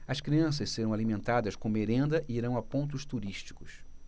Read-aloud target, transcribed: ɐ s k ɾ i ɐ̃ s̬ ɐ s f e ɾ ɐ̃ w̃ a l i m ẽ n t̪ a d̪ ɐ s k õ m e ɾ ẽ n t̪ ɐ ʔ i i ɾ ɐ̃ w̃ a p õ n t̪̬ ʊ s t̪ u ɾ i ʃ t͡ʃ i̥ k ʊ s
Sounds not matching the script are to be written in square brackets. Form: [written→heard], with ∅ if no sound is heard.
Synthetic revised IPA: ɐ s k ɾ i ɐ̃ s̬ ɐ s [f→s] e ɾ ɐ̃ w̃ a l i m ẽ n t̪ a d̪ ɐ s k õ m e ɾ ẽ n [t̪→d̪] ɐ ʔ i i ɾ ɐ̃ w̃ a p õ n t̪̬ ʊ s t̪ u ɾ i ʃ t͡ʃ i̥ k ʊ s